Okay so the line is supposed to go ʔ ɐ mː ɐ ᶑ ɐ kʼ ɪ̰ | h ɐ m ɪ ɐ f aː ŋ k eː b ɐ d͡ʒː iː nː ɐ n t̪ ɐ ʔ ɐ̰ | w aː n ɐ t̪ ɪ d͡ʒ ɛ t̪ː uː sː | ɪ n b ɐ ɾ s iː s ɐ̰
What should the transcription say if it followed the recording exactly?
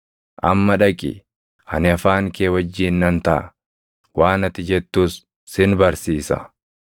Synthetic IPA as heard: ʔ ɐ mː ɐ ᶑ ɐ kʼ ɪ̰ | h ɐ n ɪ ɐ f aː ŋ k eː w ɐ d͡ʒː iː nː ɐ n t̪ ɐ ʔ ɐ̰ | w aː n ɐ t̪ ɪ d͡ʒ ɛ t̪ː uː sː | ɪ n b ɐ ɾ s iː s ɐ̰